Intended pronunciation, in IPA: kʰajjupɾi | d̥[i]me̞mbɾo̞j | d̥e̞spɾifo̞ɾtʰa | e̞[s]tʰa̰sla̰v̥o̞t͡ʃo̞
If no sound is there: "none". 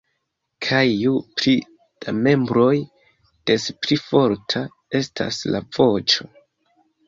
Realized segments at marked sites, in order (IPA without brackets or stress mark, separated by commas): a, s